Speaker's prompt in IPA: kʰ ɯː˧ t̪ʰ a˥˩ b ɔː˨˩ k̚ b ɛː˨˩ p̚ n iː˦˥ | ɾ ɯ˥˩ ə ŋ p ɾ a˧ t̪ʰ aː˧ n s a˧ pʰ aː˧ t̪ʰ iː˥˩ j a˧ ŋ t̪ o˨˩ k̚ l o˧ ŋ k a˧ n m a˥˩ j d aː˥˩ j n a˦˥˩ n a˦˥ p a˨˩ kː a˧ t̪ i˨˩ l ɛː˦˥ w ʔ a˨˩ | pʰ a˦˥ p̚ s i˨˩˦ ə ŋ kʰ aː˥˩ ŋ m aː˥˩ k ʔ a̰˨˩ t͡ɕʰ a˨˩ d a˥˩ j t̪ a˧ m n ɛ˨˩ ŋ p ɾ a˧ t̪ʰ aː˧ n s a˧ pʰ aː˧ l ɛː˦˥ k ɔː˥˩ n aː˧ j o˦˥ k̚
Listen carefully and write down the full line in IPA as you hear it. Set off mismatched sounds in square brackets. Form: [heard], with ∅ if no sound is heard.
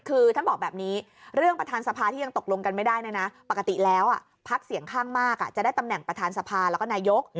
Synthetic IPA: kʰ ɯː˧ t̪ʰ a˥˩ b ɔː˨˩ k̚ b ɛː˨˩ p̚ n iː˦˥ | ɾ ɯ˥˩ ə ŋ p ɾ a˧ t̪ʰ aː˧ n s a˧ pʰ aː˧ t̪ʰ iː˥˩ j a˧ ŋ t̪ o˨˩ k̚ l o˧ ŋ k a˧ n m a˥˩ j d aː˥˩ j n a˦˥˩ n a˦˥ p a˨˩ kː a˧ t̪ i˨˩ l ɛː˦˥ w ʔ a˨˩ | pʰ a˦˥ [k̚] s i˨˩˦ ə ŋ kʰ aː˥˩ ŋ m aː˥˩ k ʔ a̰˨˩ [t͡ɕ] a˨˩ d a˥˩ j t̪ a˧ m n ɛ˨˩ ŋ p ɾ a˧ t̪ʰ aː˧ n s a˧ pʰ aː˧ l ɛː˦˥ k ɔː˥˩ n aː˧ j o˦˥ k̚